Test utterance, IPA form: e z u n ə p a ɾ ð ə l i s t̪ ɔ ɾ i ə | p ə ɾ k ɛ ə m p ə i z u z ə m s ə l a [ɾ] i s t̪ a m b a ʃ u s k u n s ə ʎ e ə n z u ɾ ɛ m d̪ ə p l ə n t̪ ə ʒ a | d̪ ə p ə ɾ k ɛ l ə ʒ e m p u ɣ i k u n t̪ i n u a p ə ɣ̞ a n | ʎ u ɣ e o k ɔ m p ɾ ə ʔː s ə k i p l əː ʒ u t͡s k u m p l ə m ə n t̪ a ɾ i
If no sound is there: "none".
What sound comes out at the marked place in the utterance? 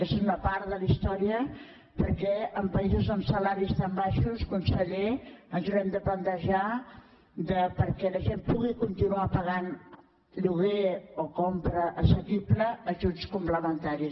ɾ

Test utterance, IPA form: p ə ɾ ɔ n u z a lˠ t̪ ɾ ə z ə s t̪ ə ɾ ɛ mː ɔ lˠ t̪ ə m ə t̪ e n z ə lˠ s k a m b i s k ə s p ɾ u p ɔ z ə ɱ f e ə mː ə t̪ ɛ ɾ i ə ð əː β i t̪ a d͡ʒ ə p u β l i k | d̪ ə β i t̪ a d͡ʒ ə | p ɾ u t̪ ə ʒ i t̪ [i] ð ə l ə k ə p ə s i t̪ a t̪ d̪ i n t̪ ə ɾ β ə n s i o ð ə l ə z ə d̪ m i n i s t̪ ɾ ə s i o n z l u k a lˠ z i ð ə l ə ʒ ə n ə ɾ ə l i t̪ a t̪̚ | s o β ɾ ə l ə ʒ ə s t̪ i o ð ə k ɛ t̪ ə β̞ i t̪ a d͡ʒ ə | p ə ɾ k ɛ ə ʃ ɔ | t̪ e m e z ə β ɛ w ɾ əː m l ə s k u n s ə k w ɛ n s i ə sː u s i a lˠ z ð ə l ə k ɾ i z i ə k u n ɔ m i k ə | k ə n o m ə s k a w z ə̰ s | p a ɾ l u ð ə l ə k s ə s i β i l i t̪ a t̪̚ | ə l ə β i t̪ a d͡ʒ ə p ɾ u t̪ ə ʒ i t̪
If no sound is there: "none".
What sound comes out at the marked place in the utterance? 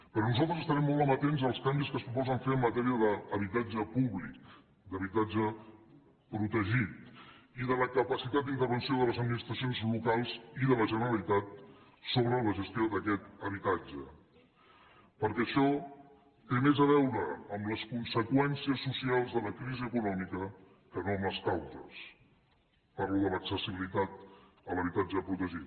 i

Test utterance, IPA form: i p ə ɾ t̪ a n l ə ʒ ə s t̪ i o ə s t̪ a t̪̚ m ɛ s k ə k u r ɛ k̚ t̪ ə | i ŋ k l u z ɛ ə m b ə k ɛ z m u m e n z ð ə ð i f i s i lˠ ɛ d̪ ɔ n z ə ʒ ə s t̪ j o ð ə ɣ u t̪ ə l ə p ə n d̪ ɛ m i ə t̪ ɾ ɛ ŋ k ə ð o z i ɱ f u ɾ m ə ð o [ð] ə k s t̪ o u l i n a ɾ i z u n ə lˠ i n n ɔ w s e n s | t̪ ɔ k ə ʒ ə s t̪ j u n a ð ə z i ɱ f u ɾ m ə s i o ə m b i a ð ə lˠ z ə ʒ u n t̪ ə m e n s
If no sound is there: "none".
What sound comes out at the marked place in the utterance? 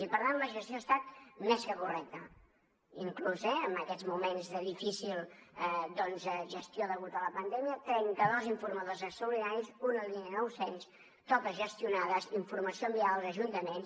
z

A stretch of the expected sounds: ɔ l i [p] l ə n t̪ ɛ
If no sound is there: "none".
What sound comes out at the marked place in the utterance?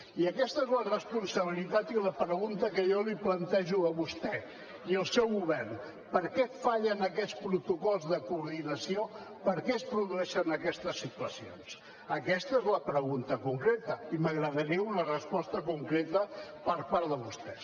p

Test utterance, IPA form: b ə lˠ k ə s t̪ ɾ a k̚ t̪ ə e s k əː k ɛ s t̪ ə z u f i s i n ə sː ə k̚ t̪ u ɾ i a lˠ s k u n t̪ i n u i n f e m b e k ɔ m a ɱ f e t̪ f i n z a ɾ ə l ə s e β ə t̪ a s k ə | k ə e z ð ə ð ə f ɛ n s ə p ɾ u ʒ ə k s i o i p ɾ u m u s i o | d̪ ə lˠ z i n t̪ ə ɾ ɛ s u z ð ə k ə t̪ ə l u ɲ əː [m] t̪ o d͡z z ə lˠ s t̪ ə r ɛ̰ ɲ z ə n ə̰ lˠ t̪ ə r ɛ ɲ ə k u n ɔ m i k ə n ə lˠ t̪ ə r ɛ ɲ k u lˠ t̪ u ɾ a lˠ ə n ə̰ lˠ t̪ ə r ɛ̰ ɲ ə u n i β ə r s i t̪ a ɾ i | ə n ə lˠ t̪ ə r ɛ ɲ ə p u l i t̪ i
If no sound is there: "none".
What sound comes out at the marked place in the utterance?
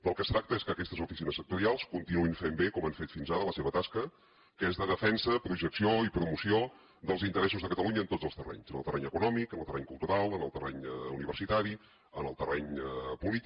n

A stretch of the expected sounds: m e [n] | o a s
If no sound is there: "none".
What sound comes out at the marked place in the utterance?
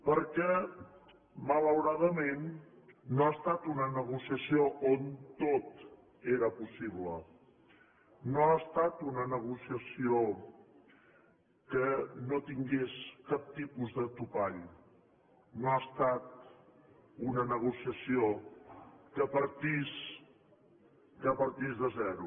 nː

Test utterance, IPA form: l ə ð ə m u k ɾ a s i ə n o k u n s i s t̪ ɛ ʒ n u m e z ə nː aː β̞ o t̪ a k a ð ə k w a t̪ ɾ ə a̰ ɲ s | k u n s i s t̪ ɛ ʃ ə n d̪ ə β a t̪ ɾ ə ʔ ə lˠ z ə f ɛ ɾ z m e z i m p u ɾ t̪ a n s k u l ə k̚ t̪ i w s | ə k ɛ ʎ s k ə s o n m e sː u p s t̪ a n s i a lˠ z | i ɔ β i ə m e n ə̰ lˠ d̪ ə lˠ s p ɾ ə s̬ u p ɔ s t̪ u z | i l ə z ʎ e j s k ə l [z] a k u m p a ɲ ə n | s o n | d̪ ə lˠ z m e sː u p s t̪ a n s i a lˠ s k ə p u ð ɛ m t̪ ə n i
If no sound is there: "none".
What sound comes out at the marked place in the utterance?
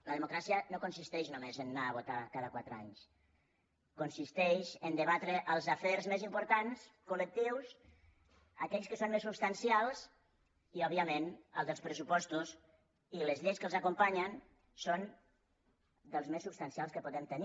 z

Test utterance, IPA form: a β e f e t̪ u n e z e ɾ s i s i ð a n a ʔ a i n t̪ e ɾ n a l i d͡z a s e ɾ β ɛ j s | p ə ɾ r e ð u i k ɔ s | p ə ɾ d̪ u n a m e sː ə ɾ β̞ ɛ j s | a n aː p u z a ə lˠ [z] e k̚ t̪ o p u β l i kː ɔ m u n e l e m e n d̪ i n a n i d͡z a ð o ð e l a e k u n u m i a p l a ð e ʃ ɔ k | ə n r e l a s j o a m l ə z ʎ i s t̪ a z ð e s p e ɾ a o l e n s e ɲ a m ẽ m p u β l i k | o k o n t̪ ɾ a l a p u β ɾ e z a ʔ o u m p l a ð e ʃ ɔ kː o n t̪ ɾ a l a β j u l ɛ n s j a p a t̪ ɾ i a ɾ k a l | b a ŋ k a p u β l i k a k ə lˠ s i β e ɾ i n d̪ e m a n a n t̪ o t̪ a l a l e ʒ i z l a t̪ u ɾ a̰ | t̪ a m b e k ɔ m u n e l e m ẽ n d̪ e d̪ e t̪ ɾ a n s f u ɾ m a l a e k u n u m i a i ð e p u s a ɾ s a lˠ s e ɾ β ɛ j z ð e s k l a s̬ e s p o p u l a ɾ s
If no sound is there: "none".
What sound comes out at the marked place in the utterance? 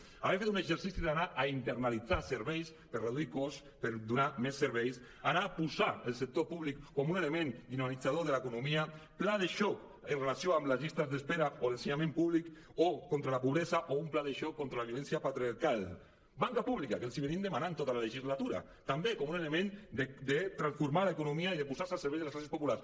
s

